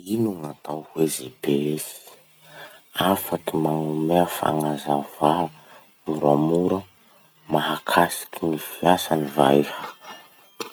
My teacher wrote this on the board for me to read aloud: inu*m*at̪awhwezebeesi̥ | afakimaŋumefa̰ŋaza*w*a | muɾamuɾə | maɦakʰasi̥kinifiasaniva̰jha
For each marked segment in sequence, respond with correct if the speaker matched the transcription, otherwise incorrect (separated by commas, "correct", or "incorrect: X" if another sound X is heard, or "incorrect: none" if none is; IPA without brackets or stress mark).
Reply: incorrect: ŋ, incorrect: v